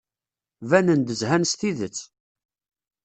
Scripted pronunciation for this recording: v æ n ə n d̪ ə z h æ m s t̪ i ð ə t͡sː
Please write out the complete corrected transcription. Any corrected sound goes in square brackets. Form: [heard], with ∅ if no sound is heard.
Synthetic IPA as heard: v æ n ə n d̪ ə z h æ [n] s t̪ i ð ə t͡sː